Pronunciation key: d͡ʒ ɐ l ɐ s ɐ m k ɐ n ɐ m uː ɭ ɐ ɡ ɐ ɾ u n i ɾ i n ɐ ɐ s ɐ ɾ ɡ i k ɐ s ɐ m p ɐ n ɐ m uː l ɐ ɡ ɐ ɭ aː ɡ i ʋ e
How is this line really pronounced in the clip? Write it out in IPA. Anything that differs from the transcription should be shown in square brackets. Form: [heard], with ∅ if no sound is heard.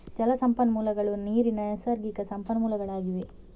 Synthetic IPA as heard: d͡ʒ ɐ l ɐ s ɐ m [p] ɐ n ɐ m uː [l] ɐ ɡ ɐ [ɭ] u n [iː] ɾ i n ɐ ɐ s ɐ ɾ ɡ i k ɐ s ɐ m p ɐ n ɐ m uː l ɐ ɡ ɐ ɭ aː ɡ i ʋ e